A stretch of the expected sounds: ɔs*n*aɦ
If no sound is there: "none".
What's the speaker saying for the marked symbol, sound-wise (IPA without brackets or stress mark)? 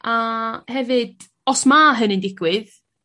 m